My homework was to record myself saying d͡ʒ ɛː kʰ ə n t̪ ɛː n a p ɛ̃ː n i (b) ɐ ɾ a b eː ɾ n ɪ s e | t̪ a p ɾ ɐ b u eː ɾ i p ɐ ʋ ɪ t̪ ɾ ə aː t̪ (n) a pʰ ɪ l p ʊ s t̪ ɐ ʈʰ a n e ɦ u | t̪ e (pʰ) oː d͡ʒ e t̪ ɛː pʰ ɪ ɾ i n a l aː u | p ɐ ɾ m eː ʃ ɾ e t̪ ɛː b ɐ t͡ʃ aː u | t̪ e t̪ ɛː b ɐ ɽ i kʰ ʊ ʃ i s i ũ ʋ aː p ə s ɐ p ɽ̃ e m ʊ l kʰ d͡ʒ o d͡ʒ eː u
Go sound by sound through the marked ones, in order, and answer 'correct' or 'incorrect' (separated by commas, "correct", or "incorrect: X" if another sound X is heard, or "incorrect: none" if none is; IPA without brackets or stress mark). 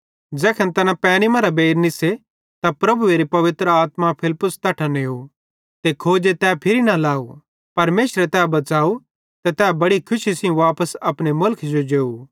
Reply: incorrect: m, incorrect: m, incorrect: kʰ